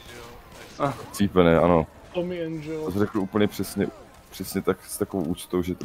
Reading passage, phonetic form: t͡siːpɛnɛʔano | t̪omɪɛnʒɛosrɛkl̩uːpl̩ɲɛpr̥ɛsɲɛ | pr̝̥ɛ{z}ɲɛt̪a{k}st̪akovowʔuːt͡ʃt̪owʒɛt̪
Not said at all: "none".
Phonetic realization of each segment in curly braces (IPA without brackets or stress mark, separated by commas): s, k